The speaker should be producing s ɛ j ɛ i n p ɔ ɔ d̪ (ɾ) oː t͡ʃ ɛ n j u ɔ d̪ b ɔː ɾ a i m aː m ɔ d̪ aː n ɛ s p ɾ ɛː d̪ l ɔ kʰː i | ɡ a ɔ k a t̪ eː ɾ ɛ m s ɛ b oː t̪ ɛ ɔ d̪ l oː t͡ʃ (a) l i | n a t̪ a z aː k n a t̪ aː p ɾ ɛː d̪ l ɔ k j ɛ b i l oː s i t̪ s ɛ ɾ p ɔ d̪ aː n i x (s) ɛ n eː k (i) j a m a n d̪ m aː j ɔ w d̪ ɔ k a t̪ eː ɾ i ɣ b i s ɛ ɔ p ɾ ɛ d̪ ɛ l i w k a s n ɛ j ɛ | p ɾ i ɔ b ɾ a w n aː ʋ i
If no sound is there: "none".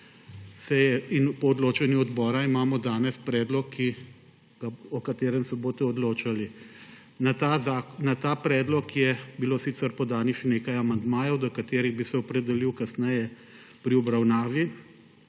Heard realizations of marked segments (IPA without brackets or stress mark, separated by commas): l, a, ʃ, a